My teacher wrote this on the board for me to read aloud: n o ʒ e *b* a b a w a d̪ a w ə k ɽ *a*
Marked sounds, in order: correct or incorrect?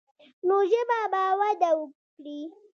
correct, incorrect

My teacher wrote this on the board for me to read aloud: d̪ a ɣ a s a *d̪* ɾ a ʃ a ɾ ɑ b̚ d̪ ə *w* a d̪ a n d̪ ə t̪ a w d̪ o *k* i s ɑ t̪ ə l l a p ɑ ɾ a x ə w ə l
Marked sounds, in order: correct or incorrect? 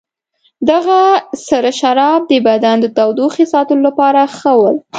incorrect, incorrect, incorrect

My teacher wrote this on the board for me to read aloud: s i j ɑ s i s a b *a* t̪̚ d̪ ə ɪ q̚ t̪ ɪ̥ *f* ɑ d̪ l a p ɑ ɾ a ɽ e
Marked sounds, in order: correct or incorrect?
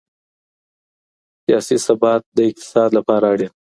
incorrect, incorrect

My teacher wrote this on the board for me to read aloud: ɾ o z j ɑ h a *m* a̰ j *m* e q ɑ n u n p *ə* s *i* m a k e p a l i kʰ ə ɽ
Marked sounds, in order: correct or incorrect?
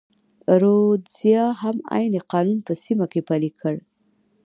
correct, incorrect, correct, correct

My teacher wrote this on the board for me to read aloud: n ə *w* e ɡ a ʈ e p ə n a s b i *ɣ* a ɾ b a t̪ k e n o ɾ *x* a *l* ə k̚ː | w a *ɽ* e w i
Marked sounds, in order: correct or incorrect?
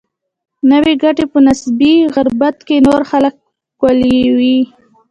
correct, correct, correct, correct, incorrect

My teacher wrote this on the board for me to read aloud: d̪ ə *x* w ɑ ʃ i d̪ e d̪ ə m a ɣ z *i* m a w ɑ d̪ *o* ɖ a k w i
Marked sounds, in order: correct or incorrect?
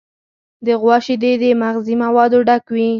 incorrect, correct, correct

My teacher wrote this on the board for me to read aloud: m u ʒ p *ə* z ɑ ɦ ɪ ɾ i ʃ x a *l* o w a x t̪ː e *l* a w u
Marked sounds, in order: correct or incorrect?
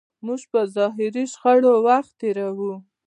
correct, incorrect, incorrect

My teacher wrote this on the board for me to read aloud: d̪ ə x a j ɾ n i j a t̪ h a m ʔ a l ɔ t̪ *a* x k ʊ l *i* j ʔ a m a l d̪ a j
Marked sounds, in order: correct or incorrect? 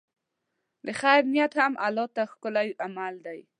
correct, incorrect

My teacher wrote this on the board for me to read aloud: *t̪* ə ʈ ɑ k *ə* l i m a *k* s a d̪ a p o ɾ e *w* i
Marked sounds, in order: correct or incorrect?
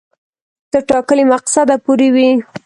correct, correct, incorrect, correct

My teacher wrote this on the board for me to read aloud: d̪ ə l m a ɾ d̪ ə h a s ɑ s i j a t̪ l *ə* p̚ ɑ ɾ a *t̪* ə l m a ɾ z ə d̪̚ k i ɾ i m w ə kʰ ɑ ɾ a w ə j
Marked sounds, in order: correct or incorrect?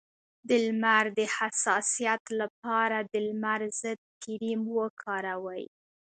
incorrect, incorrect

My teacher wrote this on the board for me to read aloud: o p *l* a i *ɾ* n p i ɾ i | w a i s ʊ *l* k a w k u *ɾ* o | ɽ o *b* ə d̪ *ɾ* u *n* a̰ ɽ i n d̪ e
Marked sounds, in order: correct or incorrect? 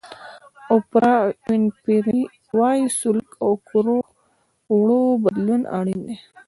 incorrect, incorrect, correct, correct, correct, incorrect, correct

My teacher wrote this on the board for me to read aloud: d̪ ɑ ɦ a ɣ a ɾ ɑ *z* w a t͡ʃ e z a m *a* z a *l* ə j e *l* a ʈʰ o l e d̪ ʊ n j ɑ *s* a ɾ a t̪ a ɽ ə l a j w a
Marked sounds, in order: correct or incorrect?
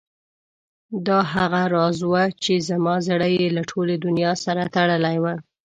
correct, incorrect, incorrect, correct, correct

